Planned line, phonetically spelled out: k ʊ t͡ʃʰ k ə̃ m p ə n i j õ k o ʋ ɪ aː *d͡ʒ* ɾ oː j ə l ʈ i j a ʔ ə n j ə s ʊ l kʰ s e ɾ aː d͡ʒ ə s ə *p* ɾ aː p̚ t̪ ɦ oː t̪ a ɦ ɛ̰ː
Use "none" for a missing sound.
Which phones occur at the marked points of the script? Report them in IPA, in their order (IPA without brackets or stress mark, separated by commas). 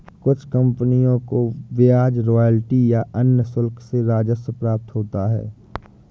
d͡ʒ, p